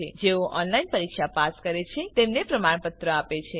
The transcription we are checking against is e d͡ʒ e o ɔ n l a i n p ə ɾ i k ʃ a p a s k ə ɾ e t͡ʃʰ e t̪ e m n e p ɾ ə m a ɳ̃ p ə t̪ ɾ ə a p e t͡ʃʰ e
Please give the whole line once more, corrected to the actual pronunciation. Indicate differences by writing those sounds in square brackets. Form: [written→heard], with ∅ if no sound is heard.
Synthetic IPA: e d͡ʒ e o ɔ n l a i n p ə ɾ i k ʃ a p a s k ə ɾ e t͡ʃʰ e t̪ e m n e p ɾ ə m a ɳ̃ p ə t̪ ɾ ə a p e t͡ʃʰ e